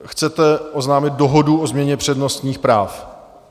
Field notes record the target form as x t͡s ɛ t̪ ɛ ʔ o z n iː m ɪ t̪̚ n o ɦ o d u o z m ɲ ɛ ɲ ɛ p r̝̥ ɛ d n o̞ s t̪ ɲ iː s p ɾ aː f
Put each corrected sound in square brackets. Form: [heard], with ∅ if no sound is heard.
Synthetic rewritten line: x t͡s ɛ t̪ ɛ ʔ o z n [aː] m ɪ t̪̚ [d] o ɦ o d u o z m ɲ ɛ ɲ ɛ p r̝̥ ɛ d n o̞ s t̪ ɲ iː [x] p ɾ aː f